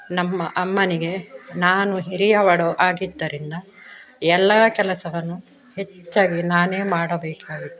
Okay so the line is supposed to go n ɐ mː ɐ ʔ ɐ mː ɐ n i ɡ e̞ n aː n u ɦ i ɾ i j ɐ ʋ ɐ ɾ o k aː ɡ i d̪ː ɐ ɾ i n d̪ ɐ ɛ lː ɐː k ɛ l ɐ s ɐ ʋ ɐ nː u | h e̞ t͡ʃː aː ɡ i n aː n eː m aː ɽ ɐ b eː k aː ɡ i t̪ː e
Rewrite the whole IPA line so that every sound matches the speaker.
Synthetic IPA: n ɐ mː ɐ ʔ ɐ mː ɐ n i ɡ e̞ n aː n u ɦ i ɾ i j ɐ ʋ ɐ ɽ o ʔ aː ɡ i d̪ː ɐ ɾ i n d̪ ɐ ɛ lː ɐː k ɛ l ɐ s ɐ ʋ ɐ nː u | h e̞ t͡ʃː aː ɡ i n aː n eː m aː ɽ ɐ b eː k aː ɡ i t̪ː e